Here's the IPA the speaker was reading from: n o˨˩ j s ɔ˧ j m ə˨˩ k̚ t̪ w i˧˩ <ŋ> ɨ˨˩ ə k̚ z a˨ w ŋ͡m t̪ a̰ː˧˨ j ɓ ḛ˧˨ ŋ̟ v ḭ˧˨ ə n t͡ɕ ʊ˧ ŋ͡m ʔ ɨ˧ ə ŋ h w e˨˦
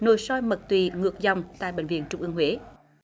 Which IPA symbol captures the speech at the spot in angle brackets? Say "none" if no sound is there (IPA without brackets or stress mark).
ŋ